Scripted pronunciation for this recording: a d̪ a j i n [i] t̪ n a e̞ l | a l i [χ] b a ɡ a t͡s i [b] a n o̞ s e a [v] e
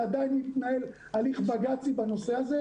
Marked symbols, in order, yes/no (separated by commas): yes, yes, yes, no